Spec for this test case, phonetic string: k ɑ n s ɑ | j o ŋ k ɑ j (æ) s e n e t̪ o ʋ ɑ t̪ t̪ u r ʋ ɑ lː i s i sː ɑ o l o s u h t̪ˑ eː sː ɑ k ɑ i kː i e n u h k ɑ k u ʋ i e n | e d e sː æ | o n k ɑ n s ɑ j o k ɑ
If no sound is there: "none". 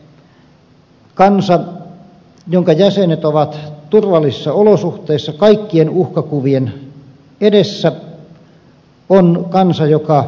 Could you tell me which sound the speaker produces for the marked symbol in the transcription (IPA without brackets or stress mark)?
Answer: æ